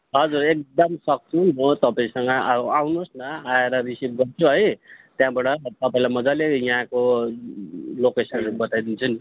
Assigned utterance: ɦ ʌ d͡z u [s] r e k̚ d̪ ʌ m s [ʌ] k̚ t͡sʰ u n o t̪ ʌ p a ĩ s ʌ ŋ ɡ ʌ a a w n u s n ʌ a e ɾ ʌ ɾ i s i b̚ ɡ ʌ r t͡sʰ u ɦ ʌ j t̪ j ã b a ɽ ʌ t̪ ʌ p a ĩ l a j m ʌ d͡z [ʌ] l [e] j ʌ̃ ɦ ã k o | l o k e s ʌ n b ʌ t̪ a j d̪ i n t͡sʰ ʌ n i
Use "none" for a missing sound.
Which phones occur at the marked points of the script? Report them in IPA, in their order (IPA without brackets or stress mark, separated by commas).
none, ʌ, a, e